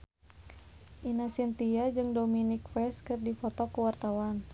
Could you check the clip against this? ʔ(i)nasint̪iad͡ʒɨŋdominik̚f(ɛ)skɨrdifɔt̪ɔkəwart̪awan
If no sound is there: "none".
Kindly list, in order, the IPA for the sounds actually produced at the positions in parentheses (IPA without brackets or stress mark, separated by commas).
i, ɛ